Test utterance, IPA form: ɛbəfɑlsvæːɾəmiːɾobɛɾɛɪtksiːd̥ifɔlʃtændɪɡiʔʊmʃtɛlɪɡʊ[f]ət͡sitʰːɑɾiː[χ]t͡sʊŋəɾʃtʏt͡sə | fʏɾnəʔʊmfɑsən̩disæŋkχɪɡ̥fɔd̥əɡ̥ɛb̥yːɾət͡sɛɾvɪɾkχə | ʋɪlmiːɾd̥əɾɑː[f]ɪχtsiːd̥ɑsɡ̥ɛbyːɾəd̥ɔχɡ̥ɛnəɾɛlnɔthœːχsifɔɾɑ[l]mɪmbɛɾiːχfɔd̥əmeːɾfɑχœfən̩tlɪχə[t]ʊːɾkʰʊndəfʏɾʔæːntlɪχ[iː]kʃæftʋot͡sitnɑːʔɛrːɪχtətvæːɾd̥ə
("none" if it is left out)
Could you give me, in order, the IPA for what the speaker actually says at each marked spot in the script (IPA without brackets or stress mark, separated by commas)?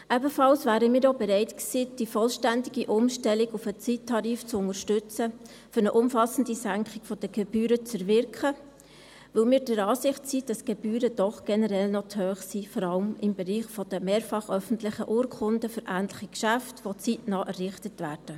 f, f, s, l, ʔ, i